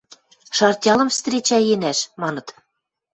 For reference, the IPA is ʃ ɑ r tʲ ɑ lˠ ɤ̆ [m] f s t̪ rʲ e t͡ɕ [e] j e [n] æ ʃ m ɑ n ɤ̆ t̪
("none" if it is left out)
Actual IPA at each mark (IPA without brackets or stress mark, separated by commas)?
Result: m, æ, n